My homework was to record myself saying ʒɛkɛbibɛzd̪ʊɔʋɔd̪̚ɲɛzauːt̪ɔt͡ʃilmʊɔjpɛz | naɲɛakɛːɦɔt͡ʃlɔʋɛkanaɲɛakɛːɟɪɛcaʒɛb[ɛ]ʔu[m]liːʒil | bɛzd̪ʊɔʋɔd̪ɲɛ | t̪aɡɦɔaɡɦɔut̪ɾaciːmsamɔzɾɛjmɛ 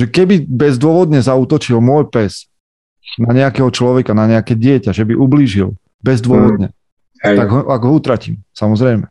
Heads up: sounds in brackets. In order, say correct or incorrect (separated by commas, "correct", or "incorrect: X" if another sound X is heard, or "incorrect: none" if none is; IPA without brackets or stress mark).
incorrect: i, incorrect: b